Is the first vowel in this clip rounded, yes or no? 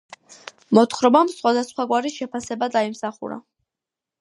yes